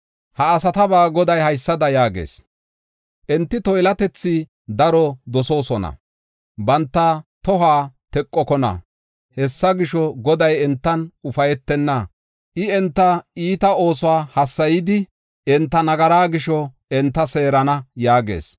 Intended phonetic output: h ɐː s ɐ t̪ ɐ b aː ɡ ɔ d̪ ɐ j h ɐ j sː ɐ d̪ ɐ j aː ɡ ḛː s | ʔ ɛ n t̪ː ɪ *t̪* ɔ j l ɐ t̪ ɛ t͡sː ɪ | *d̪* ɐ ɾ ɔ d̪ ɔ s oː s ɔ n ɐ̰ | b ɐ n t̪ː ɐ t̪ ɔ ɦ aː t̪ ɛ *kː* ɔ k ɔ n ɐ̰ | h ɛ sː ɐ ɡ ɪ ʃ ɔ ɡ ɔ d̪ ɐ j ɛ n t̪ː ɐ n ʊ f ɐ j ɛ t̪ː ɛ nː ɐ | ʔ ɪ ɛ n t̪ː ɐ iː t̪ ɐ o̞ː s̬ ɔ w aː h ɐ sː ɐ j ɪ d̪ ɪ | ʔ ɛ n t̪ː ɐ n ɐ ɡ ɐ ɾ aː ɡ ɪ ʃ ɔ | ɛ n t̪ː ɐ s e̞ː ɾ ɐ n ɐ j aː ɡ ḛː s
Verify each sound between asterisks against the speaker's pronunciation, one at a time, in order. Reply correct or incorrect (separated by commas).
correct, correct, incorrect